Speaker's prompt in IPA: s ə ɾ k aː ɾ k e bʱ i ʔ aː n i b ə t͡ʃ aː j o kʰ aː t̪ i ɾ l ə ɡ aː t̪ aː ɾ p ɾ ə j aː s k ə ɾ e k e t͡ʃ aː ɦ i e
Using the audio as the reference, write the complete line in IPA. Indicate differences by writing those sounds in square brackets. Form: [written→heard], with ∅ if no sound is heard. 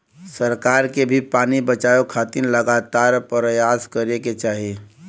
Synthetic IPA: s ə ɾ k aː ɾ k e bʱ i [ʔ→p] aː n i b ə t͡ʃ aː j o kʰ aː t̪ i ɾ l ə ɡ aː t̪ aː ɾ p ɾ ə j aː s k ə ɾ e k e t͡ʃ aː ɦ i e